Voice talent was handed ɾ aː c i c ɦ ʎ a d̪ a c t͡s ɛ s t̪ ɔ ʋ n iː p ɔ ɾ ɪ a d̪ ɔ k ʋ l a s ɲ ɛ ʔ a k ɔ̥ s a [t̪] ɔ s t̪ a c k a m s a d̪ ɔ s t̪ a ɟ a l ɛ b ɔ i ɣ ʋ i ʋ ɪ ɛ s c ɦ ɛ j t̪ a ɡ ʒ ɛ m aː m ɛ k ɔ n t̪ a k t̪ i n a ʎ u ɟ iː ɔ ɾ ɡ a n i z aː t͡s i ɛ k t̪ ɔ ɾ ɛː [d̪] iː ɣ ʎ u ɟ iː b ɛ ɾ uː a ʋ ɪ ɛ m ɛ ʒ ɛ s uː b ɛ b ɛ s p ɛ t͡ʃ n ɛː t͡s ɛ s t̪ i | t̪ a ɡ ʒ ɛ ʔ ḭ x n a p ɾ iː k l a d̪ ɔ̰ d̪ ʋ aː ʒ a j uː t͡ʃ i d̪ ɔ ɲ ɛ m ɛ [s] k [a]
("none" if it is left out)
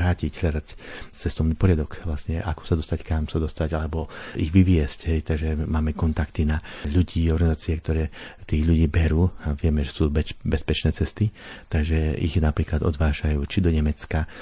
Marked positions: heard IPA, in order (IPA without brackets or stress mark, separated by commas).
d̪, t̪, t͡s, a